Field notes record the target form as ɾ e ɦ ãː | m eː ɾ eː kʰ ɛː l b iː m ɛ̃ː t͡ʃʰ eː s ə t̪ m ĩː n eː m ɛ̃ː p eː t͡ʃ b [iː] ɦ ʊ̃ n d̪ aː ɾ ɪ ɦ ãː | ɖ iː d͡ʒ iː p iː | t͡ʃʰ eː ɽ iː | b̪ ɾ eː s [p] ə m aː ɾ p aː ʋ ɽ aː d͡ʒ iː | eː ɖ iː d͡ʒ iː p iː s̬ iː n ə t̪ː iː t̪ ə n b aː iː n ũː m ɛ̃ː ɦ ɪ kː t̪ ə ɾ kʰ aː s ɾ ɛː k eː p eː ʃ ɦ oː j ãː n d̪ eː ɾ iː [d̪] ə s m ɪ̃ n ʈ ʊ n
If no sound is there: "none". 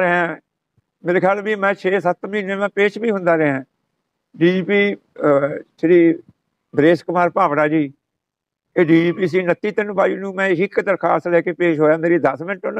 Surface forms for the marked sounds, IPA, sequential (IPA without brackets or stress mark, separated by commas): iː, k, d̪